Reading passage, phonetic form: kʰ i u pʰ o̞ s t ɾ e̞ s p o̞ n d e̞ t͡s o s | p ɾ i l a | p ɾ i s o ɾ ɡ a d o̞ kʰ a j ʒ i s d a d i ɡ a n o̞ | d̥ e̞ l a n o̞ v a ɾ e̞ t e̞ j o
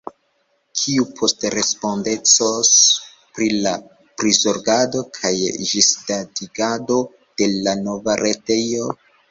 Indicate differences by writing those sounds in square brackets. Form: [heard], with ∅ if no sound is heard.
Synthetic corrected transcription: kʰ i u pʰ o̞ s t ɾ e̞ s p o̞ n d e̞ t͡s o s | p ɾ i l a | p ɾ i [z] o ɾ ɡ a d o̞ kʰ a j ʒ i s d a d i ɡ a [d] o̞ | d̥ e̞ l a n o̞ v a ɾ e̞ t e̞ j o